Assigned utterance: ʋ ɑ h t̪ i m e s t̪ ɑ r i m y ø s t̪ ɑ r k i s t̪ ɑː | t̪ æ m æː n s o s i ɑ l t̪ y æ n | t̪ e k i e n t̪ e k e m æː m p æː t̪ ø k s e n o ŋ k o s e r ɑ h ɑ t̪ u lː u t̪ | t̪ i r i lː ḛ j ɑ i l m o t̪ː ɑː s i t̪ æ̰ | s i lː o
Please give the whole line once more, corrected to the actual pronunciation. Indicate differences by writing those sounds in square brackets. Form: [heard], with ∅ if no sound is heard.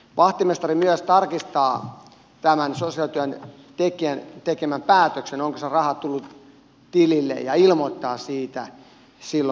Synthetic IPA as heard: ʋ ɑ h t̪ i m e s t̪ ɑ r i m y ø s t̪ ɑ r k i s t̪ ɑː | t̪ æ m [æ] n s o s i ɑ l t̪ y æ n | t̪ e k i [æ] n t̪ e k e m [æ] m p æː t̪ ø k s e n o ŋ k o s e r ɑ h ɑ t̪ u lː u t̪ | t̪ i [l] i lː ḛ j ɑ i l m o t̪ː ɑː s [iː] t̪ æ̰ | s i lː o